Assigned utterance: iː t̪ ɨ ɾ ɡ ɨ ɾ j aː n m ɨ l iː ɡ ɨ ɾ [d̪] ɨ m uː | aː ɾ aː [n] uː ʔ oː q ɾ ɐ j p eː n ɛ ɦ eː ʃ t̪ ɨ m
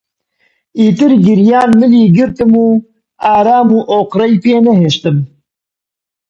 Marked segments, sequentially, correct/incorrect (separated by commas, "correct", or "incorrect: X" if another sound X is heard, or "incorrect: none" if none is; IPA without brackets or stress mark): incorrect: t̪, incorrect: m